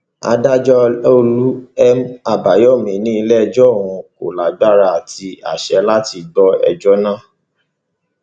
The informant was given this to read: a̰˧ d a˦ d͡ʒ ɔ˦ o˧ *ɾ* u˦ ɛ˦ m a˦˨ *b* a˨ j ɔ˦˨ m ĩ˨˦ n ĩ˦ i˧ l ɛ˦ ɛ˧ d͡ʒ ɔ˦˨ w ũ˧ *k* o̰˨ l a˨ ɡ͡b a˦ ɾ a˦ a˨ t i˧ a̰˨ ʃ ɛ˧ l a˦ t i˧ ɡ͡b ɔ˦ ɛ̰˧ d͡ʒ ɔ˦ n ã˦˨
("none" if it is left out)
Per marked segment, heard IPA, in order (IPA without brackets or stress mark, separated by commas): l, b, k